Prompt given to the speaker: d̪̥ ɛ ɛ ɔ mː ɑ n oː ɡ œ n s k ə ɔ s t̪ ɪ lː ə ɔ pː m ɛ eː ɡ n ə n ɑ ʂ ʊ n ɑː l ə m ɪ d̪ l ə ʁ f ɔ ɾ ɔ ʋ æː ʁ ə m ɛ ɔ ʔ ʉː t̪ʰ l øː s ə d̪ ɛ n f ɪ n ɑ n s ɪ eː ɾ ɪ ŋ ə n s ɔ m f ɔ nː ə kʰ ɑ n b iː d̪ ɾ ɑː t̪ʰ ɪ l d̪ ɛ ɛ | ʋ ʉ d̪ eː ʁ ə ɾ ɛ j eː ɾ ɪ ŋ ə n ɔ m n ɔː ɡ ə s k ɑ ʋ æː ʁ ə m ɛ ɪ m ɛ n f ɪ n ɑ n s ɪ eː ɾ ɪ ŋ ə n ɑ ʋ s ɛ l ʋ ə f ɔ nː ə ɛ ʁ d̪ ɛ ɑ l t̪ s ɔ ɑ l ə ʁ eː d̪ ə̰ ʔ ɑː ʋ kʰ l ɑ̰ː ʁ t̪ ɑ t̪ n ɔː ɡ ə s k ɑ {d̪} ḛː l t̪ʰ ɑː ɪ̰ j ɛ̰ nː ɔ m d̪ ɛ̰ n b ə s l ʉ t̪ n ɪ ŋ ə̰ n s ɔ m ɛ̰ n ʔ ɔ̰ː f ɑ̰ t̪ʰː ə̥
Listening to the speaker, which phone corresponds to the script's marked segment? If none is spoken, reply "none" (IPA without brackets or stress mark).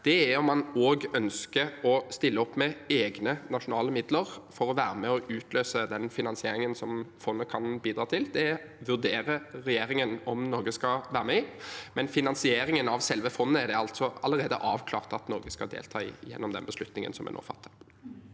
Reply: d̪